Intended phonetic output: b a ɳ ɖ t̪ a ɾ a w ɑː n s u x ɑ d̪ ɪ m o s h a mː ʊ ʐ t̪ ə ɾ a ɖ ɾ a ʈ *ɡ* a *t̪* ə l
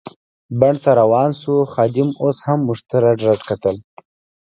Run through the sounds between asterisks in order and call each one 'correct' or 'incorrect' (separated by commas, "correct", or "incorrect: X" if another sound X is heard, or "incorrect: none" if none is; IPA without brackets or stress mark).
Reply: incorrect: k, correct